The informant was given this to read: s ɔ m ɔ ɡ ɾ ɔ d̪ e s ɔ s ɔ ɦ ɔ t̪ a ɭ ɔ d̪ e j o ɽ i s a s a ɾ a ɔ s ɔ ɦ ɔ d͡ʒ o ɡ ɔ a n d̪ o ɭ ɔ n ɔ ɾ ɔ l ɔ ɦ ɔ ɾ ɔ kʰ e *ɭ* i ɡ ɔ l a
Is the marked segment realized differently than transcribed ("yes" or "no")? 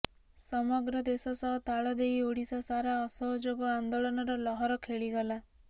no